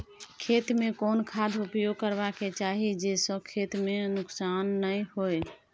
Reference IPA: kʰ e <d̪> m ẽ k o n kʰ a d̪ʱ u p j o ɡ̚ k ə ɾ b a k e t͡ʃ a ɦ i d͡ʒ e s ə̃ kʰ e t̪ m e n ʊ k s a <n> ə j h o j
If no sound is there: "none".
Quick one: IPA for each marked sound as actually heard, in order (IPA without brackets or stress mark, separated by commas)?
t̪, nː